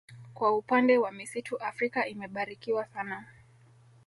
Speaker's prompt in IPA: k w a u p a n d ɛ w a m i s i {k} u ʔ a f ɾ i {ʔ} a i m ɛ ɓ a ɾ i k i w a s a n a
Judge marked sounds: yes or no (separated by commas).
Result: no, no